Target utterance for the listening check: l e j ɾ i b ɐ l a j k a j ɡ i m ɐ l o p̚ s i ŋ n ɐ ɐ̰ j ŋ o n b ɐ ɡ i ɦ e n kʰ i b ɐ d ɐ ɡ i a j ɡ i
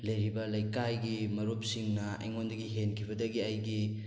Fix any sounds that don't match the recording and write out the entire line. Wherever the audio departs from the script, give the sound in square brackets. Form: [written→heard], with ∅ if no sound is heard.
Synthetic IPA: l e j ɾ i b ɐ l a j k a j ɡ i m ɐ [l→ɾ] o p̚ s i ŋ n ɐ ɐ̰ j ŋ o n [b→d] ɐ ɡ i ɦ e n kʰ i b ɐ d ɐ ɡ i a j ɡ i